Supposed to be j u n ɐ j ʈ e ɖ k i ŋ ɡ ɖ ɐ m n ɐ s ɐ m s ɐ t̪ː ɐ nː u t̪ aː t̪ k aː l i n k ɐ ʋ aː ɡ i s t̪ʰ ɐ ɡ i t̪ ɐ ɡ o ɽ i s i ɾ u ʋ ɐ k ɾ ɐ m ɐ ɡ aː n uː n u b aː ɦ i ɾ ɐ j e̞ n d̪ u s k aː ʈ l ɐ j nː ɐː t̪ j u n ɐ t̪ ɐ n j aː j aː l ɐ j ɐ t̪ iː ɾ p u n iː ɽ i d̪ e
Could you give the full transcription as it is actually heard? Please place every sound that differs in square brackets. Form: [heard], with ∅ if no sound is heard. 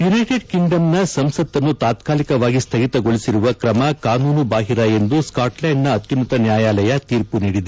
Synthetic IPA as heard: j u n ɐ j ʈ e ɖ k i ŋ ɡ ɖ ɐ m n ɐ s ɐ m s ɐ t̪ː ɐ nː u t̪ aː t̪ k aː l i [∅] k ɐ ʋ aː ɡ i s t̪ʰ ɐ ɡ i t̪ ɐ ɡ o [ɭ] i s i ɾ u ʋ ɐ k ɾ ɐ m ɐ [k] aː n uː n u b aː ɦ i ɾ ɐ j e̞ n d̪ u s k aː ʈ l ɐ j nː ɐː t̪ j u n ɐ t̪ ɐ n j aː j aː l ɐ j ɐ t̪ iː ɾ p u n iː ɽ i d̪ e